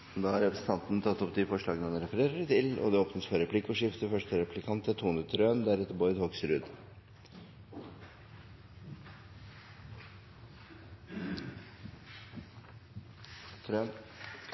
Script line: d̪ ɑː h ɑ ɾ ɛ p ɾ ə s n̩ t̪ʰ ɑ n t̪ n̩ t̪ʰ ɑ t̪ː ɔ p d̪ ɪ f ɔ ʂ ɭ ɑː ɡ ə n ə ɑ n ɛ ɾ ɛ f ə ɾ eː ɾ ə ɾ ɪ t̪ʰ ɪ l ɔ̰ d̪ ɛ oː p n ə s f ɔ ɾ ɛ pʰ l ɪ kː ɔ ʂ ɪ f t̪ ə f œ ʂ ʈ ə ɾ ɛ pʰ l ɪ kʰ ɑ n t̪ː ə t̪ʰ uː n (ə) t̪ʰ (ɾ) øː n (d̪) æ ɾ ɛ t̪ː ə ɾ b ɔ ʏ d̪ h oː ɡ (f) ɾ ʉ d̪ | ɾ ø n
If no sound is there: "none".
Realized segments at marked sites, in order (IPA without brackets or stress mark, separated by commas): ə, ɾ, d̪, s